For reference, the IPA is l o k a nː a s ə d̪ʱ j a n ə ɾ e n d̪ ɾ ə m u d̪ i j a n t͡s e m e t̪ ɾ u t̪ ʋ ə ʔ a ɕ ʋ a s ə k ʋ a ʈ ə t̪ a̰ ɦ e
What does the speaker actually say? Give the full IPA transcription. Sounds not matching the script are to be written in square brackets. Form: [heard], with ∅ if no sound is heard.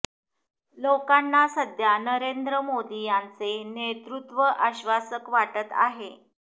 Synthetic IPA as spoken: l o k a nː a s ə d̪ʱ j a n ə ɾ e n d̪ ɾ ə m [o] d̪ i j a n t͡s e [n] e t̪ ɾ u t̪ ʋ ə ʔ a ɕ ʋ a s ə k ʋ a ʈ ə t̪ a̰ ɦ e